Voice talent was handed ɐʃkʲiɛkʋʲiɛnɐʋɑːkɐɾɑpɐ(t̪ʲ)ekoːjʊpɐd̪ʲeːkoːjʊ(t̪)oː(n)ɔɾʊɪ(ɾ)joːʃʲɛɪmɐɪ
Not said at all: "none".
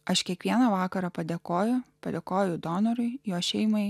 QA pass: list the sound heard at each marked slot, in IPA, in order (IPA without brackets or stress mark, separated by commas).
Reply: d̪ʲ, d̪, n, none